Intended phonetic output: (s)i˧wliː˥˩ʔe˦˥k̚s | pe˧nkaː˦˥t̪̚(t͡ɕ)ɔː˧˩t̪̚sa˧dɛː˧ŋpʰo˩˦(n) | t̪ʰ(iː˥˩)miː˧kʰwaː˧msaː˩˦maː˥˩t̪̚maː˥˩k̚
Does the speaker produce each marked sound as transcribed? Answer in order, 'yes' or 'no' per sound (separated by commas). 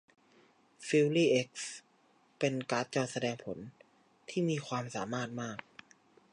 no, yes, yes, yes